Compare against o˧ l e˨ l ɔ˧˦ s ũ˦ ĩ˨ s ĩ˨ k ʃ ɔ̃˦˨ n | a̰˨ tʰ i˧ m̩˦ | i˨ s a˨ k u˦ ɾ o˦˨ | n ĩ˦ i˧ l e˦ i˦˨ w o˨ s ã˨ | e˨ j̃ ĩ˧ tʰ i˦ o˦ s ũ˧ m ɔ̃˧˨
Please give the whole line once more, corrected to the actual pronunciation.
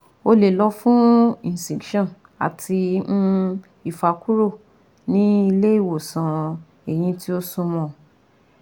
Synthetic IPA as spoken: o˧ l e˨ l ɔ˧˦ f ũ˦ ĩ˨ s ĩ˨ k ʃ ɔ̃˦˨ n | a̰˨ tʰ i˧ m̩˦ | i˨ f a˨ k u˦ ɾ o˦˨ | n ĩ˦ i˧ l e˦ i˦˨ w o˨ s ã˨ | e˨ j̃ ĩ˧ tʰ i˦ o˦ s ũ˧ m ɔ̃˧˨

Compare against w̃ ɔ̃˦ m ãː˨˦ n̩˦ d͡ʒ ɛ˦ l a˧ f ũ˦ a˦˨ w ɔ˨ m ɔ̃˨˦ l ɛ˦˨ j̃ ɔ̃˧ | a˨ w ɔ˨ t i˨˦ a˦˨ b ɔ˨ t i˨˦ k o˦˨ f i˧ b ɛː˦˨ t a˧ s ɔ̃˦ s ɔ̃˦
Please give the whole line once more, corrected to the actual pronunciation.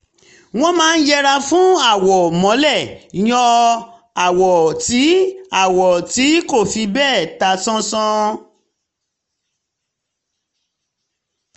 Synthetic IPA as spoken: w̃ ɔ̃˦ m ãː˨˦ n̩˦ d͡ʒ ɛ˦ ɾ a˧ f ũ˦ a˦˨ w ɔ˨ m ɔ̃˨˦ l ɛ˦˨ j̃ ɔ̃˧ | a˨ w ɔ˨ t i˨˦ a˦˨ w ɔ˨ t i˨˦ k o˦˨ f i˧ b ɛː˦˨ t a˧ s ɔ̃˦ s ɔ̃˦

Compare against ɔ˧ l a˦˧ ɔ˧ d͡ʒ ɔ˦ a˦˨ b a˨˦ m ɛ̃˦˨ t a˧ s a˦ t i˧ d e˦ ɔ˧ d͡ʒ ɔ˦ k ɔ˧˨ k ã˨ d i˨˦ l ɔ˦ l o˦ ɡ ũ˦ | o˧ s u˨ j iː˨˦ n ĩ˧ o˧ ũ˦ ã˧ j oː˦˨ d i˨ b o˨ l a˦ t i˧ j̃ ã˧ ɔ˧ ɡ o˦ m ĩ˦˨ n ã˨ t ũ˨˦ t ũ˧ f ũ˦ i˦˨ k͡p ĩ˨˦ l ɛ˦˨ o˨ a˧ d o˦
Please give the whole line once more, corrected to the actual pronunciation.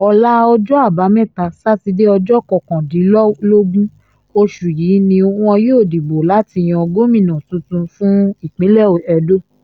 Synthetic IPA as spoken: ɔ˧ l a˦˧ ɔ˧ d͡ʒ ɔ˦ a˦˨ b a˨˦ m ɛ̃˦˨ t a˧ s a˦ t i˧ d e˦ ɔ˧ d͡ʒ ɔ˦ k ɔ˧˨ k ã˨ d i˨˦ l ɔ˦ l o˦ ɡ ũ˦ | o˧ ʃ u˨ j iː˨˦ n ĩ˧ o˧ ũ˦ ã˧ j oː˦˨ d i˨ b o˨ l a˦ t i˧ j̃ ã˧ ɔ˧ ɡ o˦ m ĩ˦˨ n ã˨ t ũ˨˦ t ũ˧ f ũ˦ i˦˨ k͡p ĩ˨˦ l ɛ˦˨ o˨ ɛ˧ d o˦

